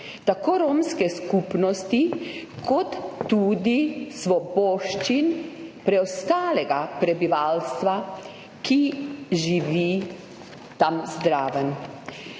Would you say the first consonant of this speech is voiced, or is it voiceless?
voiceless